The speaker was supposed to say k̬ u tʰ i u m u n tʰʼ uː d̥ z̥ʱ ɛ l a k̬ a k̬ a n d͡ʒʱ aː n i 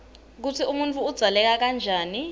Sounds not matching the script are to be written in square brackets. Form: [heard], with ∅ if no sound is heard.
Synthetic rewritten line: k̬ u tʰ i u m u n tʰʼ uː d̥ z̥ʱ [a] l [ɛ] k̬ a k̬ a n d͡ʒʱ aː n i